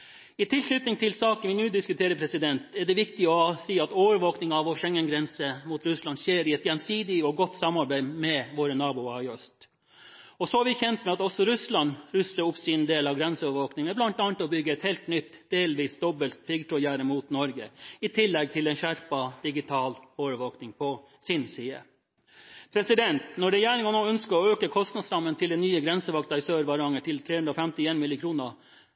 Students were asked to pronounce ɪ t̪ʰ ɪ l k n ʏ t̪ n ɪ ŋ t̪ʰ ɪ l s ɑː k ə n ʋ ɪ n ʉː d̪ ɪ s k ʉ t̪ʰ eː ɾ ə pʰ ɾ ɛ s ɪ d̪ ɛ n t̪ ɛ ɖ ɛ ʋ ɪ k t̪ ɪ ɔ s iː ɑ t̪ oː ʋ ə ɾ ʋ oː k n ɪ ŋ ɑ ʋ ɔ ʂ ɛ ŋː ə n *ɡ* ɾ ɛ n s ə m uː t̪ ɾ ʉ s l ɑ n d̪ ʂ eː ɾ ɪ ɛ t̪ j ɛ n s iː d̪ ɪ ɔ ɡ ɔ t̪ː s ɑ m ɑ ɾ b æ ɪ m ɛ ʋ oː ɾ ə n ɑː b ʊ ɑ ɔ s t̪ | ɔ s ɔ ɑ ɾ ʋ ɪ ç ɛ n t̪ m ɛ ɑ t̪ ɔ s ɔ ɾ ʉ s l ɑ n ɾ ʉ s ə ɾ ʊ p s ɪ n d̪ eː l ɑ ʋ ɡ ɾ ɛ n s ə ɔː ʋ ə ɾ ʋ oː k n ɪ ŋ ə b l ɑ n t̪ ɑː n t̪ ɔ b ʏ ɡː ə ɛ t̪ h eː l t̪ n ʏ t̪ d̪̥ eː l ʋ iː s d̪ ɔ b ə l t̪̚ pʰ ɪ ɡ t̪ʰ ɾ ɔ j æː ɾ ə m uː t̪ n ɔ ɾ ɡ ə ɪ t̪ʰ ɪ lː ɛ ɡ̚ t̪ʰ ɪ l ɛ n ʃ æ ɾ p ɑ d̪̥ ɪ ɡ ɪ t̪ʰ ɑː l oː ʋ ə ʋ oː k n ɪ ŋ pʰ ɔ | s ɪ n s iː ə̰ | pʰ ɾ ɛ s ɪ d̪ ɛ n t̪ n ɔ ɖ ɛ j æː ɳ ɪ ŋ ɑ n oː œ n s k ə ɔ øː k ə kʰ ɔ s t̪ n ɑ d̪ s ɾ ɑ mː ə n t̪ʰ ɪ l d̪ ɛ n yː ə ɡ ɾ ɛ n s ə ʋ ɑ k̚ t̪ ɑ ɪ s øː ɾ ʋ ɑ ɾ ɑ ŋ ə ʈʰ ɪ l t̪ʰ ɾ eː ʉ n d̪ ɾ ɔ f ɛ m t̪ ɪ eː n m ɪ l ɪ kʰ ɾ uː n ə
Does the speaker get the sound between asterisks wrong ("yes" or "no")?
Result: no